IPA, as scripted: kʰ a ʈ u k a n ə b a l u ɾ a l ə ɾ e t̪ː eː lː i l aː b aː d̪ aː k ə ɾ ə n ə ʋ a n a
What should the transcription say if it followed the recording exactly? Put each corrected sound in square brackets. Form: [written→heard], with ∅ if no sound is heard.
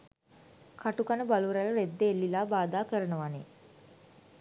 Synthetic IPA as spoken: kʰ a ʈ u k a n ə b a l u ɾ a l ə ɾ e [t̪ː→d̪ː] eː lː i l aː b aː d̪ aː k ə ɾ ə n ə ʋ a n [a→e]